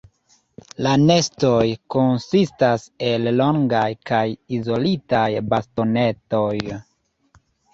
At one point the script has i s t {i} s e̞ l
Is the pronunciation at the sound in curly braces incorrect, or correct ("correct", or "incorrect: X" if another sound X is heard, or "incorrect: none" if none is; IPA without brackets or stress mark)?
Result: incorrect: a